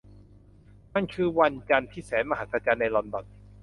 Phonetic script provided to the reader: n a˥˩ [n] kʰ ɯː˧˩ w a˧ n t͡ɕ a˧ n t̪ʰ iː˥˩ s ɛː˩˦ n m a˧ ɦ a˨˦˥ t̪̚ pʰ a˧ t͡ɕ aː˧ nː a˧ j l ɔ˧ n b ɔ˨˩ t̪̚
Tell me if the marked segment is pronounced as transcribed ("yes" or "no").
yes